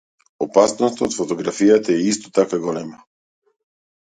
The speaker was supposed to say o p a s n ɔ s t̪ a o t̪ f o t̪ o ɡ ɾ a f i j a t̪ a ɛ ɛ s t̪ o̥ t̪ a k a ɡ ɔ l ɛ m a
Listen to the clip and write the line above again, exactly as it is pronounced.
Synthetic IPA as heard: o p a s n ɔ s t̪ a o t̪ f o t̪ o ɡ ɾ a f i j a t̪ a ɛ i s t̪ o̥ t̪ a k a ɡ ɔ l ɛ m a

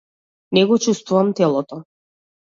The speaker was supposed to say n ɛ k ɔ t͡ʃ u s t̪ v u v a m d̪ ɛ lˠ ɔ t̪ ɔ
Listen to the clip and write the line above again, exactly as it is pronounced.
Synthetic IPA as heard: n ɛ ɡ ɔ t͡ʃ u s t̪ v u v a m t̪ ɛ lˠ ɔ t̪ ɔ

